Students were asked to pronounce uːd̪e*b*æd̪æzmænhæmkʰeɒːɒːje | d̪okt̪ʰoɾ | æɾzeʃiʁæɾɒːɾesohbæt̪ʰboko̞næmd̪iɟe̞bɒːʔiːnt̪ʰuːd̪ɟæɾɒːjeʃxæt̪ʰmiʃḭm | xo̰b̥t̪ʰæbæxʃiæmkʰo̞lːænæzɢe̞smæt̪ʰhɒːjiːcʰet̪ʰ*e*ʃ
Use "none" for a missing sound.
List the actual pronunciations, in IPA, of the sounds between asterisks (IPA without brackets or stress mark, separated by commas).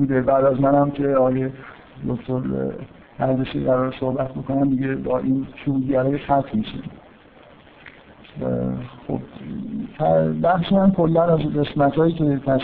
b, æ